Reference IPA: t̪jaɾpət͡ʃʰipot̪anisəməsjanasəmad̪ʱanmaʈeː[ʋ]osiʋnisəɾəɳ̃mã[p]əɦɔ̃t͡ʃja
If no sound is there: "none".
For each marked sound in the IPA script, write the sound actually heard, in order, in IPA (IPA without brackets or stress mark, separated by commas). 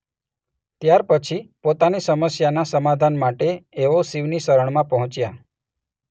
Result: ʋ, p